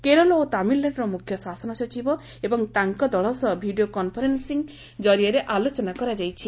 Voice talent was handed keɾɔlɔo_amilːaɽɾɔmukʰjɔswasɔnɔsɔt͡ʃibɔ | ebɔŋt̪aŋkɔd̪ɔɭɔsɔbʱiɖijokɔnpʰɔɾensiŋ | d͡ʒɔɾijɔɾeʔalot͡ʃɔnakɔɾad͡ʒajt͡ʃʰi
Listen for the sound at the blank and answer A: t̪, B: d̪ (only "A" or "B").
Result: A